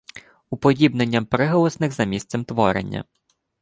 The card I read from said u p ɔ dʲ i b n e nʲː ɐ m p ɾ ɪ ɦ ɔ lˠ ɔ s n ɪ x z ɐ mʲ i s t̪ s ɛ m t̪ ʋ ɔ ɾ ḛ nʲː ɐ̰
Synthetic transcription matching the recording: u p ɔ dʲ i b n e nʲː ɐ m p ɾ ɪ ɦ ɔ lˠ ɔ s n ɪ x z ɐ mʲ i s t̪ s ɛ m t̪ ʋ ɔ ɾ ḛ nʲː ɐ̰